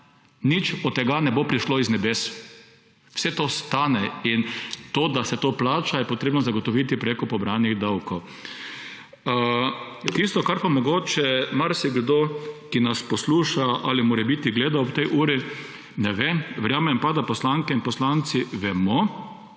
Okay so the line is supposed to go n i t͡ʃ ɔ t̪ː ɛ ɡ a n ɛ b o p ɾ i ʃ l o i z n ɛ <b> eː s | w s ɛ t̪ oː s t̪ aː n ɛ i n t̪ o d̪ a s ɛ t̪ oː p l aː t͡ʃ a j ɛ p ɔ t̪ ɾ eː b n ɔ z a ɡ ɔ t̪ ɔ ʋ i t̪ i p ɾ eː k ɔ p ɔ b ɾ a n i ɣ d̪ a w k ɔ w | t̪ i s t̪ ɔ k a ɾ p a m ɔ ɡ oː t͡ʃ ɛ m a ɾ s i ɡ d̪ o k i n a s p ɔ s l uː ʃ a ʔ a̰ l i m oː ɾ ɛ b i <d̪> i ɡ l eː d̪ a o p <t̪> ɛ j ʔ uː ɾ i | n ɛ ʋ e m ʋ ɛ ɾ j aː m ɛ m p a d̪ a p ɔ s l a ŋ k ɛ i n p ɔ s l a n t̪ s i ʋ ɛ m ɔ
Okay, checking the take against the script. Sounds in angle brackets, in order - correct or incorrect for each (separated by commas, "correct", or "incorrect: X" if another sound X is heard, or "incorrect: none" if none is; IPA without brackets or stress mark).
correct, incorrect: t̪, correct